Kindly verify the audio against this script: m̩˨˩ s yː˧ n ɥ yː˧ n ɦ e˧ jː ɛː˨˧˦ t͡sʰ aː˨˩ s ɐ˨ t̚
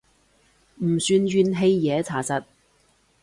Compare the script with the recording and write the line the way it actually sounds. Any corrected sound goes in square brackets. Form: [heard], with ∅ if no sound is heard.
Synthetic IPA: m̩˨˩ s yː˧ n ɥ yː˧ n ɦ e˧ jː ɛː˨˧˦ t͡sʰ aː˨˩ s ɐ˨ t̚